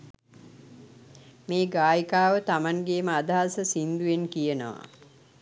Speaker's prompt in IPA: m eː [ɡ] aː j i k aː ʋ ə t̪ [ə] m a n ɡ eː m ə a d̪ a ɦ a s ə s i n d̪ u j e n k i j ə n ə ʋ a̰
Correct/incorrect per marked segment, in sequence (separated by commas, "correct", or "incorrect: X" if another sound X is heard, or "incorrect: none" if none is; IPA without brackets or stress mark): correct, incorrect: a